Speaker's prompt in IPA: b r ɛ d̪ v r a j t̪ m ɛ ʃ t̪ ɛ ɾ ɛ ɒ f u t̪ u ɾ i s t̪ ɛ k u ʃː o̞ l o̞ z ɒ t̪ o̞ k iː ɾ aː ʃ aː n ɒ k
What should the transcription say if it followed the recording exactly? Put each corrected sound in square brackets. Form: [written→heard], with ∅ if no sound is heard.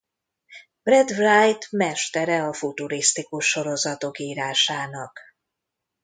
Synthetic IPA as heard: b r ɛ d̪ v r a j t̪ m ɛ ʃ t̪ ɛ ɾ ɛ ɒ f u t̪ u ɾ i s t̪ [ɛ→i] k u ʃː o̞ [l→ɾ] o̞ z ɒ t̪ o̞ k iː ɾ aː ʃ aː n ɒ k